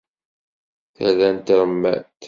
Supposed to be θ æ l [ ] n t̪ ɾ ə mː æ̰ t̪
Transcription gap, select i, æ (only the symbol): æ